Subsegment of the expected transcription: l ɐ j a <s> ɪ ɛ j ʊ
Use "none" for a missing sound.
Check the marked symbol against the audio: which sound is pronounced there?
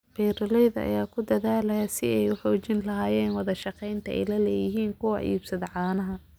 s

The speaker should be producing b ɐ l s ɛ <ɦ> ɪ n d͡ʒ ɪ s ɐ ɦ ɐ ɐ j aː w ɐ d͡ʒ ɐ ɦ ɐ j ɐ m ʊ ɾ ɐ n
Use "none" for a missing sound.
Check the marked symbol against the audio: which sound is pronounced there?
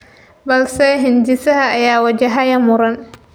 ɦ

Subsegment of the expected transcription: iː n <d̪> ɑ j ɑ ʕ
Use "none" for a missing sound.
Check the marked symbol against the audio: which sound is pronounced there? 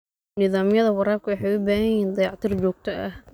d̪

